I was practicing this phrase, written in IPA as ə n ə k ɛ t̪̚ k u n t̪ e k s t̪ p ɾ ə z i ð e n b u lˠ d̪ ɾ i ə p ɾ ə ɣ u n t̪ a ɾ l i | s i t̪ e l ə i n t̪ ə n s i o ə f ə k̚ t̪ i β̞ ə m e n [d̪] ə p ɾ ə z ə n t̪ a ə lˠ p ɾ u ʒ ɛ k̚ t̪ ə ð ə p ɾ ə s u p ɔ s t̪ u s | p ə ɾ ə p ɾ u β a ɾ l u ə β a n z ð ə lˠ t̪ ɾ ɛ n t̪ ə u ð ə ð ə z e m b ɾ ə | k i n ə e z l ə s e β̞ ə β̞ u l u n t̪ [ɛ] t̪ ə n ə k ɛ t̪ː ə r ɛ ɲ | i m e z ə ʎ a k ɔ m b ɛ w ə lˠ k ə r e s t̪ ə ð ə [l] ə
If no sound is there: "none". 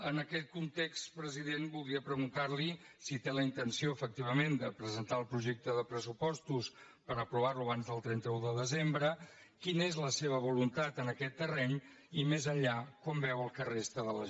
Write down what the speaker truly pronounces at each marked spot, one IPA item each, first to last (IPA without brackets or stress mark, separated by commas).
d̪, a, l